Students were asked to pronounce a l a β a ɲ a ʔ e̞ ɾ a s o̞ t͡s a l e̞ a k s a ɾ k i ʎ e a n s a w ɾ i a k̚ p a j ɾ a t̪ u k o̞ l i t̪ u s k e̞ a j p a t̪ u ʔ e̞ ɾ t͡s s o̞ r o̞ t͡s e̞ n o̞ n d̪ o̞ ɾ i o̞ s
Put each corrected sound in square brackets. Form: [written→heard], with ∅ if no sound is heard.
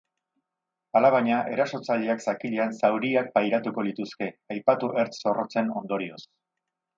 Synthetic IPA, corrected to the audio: a l a β a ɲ a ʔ e̞ ɾ a s o̞ t͡s a [l→ʎ] e̞ a k s a [ɾ→∅] k i ʎ e a n s a w ɾ i a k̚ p a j ɾ a t̪ u k o̞ l i t̪ u s k e̞ a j p a t̪ u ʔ e̞ ɾ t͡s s o̞ r o̞ t͡s e̞ n o̞ n d̪ o̞ ɾ i o̞ s